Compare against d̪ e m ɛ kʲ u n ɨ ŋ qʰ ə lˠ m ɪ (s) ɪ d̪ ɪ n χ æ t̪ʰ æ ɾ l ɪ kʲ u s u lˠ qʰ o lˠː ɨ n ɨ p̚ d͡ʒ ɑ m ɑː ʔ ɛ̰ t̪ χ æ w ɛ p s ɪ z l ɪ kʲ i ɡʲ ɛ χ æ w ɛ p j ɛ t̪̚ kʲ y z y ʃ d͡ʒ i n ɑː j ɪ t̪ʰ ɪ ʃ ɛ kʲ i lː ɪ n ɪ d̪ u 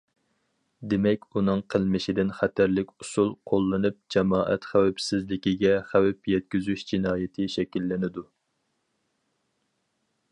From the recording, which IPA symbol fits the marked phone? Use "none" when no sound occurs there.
ʃ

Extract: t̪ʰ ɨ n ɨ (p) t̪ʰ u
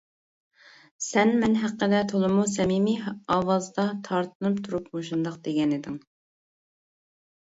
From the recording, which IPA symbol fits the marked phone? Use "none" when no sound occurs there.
p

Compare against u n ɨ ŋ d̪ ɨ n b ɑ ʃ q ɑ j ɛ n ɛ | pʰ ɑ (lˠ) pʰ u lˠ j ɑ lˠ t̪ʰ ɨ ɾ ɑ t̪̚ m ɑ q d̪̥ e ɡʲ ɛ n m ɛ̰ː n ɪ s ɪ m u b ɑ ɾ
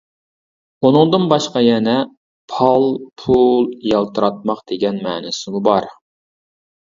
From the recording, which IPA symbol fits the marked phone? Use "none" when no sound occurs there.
lˠ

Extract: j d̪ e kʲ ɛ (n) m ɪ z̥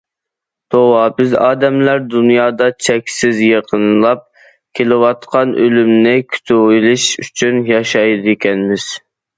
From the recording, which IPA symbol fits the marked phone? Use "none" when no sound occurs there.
n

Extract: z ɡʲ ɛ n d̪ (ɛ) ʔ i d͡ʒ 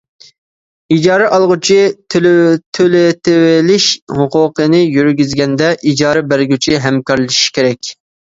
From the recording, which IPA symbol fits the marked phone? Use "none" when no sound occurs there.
ɛ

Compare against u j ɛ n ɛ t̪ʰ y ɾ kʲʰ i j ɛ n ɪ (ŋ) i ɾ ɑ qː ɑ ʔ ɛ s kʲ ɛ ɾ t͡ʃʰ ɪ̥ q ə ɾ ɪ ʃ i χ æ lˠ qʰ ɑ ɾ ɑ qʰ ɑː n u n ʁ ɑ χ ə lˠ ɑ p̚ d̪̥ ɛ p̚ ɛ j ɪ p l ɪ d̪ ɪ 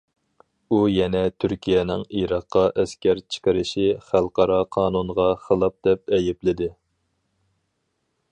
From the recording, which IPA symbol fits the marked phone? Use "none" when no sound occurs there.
ŋ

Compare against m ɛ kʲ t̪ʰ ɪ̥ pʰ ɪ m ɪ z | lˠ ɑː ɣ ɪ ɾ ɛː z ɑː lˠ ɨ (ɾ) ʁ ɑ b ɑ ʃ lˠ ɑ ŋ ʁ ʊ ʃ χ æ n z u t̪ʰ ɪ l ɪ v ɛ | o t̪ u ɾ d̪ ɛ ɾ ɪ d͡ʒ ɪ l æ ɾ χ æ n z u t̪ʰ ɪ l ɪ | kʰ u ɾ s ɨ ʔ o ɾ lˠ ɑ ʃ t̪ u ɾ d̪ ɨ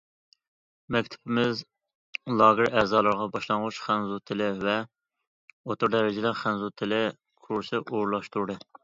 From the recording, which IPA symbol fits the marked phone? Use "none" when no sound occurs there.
ɾ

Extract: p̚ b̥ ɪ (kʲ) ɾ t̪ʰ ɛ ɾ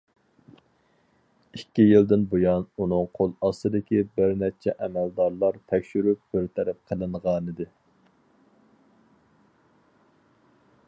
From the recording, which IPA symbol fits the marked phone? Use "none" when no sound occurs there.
none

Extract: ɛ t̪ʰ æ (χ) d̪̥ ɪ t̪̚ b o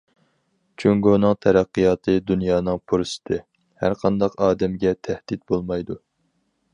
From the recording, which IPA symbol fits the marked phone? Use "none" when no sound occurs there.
h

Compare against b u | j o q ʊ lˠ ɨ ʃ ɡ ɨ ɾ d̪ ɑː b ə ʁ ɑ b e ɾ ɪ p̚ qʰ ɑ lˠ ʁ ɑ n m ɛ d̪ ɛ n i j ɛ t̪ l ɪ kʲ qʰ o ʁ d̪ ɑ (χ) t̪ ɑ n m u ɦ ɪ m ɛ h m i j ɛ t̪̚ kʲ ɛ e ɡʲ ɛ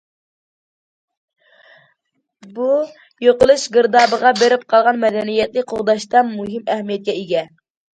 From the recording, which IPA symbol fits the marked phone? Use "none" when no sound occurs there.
ʃ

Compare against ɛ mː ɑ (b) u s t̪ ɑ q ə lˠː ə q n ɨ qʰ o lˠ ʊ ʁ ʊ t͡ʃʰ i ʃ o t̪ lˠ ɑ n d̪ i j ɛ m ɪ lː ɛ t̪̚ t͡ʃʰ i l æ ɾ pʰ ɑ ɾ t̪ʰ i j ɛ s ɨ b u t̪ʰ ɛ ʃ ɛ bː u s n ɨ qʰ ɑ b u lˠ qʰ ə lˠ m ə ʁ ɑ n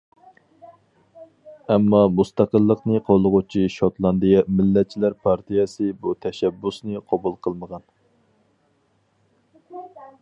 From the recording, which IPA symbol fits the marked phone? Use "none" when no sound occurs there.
m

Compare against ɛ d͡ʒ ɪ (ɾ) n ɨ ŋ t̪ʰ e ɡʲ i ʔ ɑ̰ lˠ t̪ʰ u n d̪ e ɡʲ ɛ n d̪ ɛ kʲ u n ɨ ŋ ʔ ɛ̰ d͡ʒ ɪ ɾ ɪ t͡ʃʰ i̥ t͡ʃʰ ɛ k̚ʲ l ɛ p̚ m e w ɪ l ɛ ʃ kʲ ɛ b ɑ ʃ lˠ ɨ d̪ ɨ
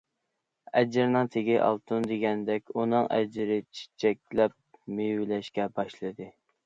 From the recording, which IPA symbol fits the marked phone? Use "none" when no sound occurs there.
ɾ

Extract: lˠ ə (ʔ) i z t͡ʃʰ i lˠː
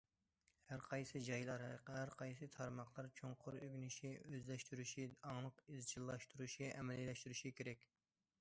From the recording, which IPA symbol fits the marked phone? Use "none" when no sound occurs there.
q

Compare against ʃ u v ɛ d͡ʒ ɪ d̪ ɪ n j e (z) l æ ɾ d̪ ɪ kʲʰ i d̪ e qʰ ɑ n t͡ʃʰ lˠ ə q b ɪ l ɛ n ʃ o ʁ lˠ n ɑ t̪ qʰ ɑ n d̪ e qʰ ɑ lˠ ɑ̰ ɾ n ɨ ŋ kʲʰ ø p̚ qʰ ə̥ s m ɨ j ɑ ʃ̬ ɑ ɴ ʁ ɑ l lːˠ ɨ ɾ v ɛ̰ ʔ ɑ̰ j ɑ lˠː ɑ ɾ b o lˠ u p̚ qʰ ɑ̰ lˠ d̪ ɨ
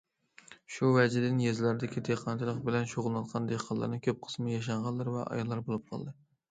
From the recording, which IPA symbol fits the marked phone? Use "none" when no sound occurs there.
z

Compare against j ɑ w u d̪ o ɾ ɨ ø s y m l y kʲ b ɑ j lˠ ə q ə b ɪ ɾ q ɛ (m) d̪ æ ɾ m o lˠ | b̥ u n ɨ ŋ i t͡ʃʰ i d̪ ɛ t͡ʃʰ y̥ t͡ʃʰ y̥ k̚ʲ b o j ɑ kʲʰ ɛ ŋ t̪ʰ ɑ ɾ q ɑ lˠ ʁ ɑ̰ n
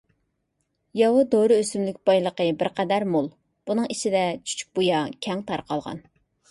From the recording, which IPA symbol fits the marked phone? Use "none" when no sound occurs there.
none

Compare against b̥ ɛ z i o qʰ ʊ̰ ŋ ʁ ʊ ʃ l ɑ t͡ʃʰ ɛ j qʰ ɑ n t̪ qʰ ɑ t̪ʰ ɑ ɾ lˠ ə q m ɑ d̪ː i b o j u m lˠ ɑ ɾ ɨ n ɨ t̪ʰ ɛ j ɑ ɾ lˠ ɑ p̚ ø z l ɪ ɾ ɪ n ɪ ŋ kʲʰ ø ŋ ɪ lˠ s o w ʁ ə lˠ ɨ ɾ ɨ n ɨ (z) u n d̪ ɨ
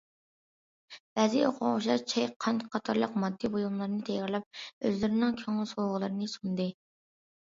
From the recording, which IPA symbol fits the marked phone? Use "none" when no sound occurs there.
s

